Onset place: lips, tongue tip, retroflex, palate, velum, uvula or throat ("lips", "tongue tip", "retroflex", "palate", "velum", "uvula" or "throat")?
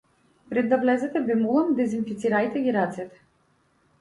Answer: lips